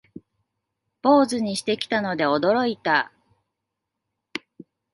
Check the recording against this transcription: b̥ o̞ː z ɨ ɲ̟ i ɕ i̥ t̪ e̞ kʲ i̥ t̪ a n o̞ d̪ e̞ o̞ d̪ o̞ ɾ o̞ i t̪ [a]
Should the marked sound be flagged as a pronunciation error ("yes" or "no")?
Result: no